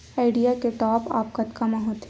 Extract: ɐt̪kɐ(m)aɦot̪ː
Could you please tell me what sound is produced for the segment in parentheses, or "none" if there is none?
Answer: m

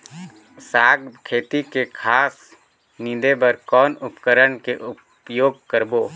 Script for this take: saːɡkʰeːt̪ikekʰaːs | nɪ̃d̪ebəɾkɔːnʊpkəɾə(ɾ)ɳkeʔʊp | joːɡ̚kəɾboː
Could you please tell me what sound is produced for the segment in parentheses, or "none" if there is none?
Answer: none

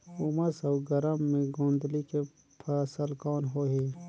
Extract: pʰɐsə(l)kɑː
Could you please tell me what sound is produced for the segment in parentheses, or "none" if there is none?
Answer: l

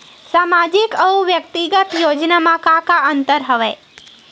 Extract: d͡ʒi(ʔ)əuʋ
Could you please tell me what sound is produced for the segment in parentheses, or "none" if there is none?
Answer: k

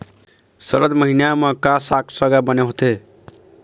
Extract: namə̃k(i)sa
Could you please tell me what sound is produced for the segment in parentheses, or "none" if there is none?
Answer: a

